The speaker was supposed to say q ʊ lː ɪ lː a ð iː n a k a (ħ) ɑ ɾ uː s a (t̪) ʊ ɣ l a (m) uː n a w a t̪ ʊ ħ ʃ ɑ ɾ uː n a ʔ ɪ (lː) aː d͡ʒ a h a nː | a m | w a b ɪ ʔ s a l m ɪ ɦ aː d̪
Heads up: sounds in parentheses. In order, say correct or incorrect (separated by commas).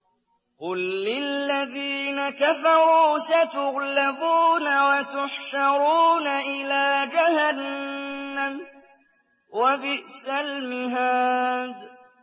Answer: incorrect, correct, incorrect, incorrect